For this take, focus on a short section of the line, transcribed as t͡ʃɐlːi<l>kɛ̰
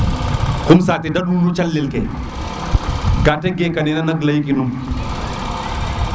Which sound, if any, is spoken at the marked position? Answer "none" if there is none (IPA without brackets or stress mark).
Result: l